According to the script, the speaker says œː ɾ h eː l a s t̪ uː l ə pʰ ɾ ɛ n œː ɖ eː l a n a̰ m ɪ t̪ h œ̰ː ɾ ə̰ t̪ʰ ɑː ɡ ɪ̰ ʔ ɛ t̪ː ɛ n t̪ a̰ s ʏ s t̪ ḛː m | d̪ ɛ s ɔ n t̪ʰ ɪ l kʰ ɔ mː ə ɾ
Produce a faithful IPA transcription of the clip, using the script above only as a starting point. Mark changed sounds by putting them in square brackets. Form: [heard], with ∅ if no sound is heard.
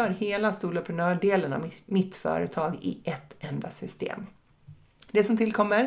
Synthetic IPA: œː ɾ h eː l a s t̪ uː l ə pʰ ɾ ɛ n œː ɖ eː l [ə] n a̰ m ɪ t̪ [f] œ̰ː ɾ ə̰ t̪ʰ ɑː ɡ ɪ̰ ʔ ɛ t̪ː ɛ n [d̪] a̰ s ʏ s t̪ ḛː m | d̪ ɛ s ɔ [m] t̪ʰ ɪ l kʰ ɔ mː ə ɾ